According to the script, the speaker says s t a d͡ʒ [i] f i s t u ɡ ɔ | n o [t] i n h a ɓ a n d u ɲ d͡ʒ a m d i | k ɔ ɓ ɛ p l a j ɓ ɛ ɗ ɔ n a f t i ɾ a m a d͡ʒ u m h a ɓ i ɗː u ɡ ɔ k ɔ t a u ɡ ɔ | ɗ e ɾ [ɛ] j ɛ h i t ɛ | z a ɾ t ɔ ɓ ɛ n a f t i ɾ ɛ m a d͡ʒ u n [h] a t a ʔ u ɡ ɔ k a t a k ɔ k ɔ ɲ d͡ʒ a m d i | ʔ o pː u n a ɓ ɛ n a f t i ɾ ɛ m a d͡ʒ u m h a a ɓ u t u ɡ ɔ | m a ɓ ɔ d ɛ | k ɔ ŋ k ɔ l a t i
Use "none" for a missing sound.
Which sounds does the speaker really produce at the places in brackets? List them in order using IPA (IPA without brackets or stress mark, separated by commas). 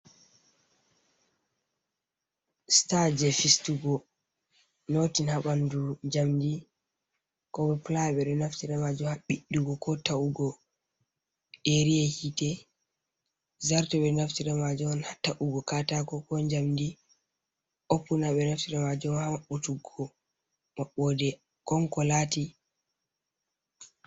ɛ, t, i, h